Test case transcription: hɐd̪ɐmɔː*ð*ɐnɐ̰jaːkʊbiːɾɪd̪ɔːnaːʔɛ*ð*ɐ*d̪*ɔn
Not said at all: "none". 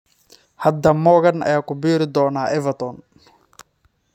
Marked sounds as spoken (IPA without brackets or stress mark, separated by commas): ɣ, v, t̪